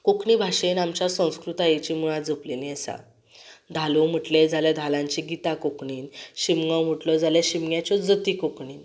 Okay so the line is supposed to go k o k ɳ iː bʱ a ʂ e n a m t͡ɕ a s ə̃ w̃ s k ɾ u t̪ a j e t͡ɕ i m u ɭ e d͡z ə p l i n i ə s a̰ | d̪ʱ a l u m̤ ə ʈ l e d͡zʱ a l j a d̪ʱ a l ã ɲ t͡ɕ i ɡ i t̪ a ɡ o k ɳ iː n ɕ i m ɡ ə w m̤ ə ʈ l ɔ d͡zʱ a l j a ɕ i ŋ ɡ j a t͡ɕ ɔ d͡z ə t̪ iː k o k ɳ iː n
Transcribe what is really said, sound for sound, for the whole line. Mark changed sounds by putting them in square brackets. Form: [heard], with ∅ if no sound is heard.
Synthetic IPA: k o k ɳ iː bʱ a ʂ e n a m t͡ɕ a s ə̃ w̃ s k ɾ u t̪ a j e t͡ɕ i m u ɭ [a] d͡z ə p l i n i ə s a̰ | d̪ʱ a l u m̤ ə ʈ l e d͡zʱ a l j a d̪ʱ a l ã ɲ t͡ɕ i ɡ i t̪ a [k] o k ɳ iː n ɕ i m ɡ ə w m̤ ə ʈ l ɔ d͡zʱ a l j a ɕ i [m] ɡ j a t͡ɕ ɔ d͡z ə t̪ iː k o k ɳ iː n